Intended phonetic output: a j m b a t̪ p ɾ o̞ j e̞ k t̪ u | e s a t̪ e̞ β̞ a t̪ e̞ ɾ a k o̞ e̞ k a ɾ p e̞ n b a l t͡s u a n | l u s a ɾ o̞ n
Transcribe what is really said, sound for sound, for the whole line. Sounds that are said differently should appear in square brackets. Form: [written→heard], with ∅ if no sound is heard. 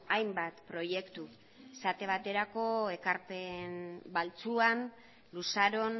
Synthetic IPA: a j m b a t̪ p ɾ o̞ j e̞ k t̪ u | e s a t̪ e̞ β̞ a t̪ e̞ ɾ a k o̞ e̞ k a ɾ p e̞ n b a l t͡s u a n | l u s a ɾ o̞ n